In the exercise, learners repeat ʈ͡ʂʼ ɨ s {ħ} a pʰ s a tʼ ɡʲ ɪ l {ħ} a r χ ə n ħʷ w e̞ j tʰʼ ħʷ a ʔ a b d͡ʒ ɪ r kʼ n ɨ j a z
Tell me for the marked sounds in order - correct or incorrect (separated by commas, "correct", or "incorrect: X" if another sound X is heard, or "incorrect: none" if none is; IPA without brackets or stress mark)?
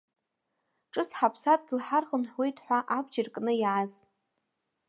correct, correct